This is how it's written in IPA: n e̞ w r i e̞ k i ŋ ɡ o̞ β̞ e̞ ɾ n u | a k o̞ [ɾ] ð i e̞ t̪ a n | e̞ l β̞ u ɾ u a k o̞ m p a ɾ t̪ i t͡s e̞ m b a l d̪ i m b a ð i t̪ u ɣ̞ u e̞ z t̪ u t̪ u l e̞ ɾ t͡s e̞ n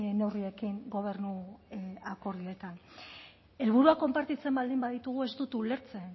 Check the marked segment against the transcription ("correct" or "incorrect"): correct